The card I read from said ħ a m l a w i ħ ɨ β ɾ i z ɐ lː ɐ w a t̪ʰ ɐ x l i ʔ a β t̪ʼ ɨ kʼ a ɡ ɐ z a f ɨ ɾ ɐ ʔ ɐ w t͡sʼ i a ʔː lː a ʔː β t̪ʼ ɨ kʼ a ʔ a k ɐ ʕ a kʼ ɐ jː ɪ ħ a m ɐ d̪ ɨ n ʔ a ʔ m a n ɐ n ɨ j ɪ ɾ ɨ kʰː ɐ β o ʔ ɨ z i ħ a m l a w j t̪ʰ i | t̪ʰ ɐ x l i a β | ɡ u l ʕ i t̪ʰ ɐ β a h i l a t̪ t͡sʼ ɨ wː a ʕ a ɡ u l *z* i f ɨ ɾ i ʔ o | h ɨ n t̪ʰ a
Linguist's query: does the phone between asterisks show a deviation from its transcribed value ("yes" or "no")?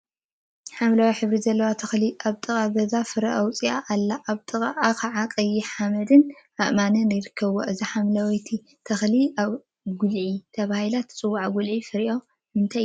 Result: yes